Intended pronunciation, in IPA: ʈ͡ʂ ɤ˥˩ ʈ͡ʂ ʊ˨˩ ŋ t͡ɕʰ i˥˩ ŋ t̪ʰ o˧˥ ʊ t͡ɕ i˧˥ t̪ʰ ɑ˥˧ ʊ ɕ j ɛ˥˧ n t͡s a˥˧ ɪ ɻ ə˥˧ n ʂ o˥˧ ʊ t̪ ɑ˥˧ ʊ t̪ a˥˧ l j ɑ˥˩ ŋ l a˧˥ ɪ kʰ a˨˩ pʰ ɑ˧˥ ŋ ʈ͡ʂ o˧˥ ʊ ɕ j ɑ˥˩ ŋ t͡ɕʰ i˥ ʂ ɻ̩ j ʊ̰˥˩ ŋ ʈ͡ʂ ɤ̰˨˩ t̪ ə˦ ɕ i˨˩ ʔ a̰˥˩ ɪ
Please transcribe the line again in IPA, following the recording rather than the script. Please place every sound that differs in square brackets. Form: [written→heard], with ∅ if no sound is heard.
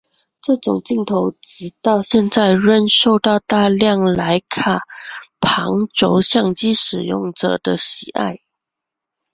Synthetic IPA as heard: ʈ͡ʂ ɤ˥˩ ʈ͡ʂ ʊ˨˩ ŋ [t͡ɕʰ→t͡ɕ] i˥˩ ŋ t̪ʰ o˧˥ ʊ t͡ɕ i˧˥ [t̪ʰ→t̪] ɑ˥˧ ʊ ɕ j ɛ˥˧ n t͡s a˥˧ ɪ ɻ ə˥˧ n ʂ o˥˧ ʊ t̪ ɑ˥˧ ʊ t̪ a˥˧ l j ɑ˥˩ ŋ l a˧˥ ɪ kʰ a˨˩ pʰ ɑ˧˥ ŋ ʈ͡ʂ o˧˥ ʊ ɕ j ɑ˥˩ ŋ [t͡ɕʰ→t͡ɕ] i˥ ʂ ɻ̩ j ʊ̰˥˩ ŋ ʈ͡ʂ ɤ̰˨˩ [t̪→d̪] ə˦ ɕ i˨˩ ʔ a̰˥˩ ɪ